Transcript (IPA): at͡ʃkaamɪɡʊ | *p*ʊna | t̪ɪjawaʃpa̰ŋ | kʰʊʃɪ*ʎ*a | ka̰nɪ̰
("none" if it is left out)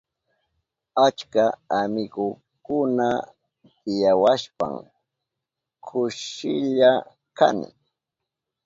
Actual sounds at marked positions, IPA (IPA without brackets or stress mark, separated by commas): k, ʎ